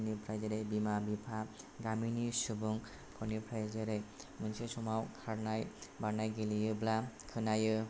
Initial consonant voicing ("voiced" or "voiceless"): voiced